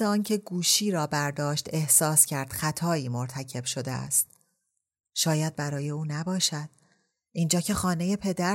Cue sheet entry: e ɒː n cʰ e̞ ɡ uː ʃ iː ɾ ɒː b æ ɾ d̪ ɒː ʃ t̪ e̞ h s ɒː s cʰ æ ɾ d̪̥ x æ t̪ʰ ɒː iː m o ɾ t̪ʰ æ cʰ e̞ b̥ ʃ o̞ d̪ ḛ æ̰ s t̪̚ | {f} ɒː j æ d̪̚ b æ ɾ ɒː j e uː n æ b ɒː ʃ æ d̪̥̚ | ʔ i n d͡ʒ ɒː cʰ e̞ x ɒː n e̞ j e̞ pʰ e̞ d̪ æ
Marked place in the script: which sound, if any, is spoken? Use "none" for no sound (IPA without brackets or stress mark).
ʃ